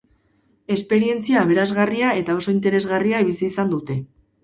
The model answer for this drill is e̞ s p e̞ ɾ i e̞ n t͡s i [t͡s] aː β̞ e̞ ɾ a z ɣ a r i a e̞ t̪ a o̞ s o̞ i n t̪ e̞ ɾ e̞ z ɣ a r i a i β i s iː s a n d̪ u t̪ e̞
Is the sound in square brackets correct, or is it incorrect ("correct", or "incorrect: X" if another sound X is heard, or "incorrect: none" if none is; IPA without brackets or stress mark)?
incorrect: none